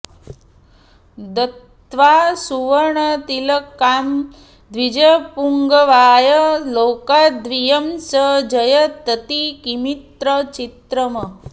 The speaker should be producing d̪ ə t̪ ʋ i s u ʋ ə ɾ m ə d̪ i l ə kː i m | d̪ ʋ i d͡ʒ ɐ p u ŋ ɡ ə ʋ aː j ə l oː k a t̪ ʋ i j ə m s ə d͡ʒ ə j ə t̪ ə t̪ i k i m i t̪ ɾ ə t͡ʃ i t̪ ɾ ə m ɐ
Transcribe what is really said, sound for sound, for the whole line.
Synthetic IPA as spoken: d̪ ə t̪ ʋ a s u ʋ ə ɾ ɳ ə t̪ i l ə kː a m | d̪ ʋ i d͡ʒ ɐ p u ŋ ɡ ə ʋ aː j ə l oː k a d̪ ʋ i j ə m s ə d͡ʒ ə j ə t̪ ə t̪ i k i m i t̪ ɾ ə t͡ʃ i t̪ ɾ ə m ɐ